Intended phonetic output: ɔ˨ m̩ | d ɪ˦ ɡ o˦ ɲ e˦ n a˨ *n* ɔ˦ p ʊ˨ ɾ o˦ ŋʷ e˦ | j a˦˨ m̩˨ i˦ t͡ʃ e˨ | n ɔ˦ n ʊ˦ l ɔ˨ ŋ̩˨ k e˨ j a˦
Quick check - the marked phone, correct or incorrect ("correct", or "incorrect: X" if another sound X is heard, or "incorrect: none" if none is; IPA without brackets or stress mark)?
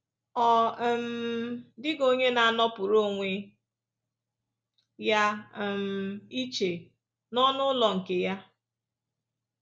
correct